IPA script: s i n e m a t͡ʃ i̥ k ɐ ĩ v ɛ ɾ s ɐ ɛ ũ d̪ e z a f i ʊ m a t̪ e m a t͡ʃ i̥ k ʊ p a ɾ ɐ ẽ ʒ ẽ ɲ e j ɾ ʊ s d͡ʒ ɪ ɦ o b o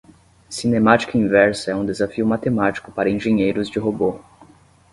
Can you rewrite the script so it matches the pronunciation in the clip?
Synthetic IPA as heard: s i n e m a t͡ʃ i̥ k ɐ ĩ v ɛ ɾ s ɐ ɛ ũ d̪ e z a f i ʊ m a t̪ e m a t͡ʃ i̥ k ʊ p a ɾ ɐ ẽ ʒ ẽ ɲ e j ɾ ʊ z d͡ʒ ɪ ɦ o b o